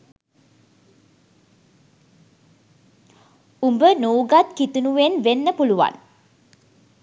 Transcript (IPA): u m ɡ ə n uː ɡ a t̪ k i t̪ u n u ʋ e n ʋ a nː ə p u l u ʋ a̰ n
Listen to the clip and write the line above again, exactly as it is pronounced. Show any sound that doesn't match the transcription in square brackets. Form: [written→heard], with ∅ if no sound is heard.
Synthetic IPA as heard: u m [ɡ→b] ə n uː ɡ a t̪ k i t̪ u n u ʋ e n ʋ [a→e] nː ə p u l u ʋ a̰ n